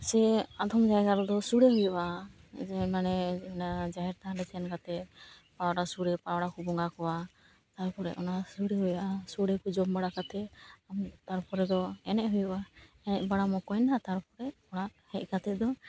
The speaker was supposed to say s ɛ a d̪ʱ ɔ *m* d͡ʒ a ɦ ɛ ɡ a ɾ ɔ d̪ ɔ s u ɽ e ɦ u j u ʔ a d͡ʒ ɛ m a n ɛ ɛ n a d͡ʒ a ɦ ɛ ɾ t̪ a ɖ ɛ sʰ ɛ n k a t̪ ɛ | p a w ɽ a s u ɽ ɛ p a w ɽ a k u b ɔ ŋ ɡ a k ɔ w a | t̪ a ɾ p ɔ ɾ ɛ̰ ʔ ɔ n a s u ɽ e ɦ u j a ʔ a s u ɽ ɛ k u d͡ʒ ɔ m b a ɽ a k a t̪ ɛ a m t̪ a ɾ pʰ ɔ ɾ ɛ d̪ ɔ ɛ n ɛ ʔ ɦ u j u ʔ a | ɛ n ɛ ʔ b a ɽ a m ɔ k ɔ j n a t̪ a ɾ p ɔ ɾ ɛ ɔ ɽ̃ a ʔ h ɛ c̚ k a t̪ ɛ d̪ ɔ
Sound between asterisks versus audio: correct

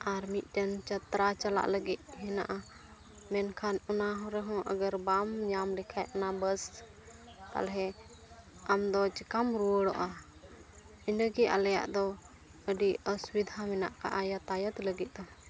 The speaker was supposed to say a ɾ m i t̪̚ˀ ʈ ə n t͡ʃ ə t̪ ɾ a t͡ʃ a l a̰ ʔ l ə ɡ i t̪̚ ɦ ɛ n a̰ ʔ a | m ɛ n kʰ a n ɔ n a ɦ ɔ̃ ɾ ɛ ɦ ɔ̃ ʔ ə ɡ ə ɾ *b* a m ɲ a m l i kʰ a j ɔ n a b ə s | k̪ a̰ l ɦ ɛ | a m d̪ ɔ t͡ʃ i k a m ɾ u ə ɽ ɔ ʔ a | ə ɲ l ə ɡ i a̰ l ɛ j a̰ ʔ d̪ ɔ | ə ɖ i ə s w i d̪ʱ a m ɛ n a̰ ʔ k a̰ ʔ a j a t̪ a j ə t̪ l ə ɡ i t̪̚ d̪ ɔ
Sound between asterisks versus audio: correct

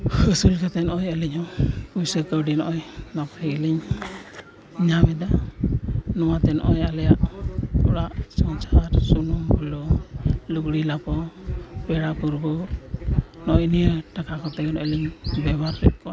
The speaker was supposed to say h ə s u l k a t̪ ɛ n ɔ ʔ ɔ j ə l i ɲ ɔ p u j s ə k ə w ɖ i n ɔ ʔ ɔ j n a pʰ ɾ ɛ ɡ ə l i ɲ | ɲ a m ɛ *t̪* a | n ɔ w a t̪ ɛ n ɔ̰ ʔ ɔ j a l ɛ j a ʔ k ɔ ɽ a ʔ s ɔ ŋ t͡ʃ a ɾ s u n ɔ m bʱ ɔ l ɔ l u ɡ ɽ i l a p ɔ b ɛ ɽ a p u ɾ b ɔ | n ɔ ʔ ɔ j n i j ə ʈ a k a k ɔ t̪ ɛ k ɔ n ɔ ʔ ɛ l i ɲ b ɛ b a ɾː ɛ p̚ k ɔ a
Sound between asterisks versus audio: incorrect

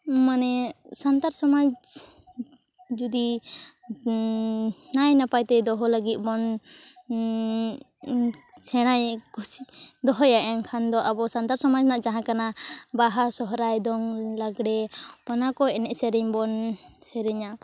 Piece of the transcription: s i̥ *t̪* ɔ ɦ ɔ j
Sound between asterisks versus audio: incorrect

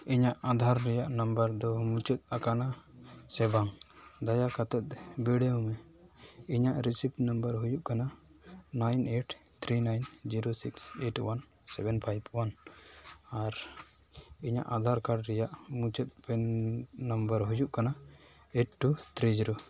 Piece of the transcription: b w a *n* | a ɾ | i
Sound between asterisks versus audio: correct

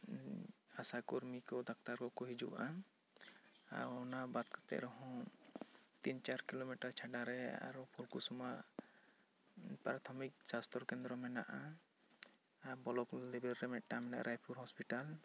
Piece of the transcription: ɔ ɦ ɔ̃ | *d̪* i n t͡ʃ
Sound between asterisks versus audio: incorrect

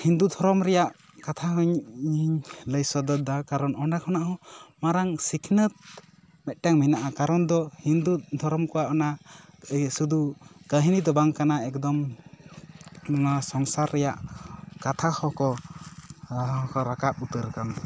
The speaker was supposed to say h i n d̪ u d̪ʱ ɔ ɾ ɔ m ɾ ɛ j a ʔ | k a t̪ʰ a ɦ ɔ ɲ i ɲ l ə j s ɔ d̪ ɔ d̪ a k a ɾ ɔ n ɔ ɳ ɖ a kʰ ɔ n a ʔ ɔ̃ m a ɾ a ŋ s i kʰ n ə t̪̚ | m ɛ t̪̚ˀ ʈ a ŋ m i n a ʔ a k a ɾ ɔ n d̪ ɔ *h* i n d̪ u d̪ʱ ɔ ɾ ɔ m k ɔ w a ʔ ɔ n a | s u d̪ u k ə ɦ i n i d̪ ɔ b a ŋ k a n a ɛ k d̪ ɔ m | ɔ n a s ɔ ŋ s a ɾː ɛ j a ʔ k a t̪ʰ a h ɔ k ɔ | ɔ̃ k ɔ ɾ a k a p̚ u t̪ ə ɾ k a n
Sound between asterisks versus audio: correct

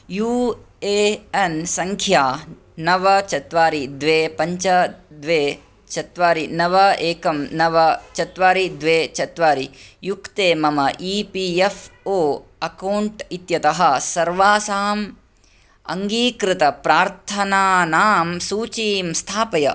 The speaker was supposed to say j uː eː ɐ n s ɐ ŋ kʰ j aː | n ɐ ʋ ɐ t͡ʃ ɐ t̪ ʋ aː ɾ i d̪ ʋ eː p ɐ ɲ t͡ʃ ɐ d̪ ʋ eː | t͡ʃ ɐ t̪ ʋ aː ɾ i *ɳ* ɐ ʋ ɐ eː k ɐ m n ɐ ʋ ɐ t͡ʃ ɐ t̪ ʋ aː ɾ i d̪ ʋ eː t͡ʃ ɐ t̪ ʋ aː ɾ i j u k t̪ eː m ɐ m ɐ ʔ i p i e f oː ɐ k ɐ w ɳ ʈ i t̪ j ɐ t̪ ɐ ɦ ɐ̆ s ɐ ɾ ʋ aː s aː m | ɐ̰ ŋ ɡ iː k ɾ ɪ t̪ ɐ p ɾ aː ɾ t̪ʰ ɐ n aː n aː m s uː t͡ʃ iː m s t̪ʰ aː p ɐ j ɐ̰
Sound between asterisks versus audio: incorrect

